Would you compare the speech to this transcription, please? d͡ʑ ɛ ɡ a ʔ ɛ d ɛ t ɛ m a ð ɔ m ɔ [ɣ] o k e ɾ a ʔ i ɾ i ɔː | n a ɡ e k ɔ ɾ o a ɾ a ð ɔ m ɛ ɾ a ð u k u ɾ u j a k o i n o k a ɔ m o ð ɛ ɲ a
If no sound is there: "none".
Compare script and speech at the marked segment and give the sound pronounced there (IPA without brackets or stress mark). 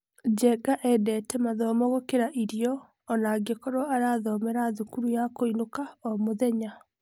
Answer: ɣ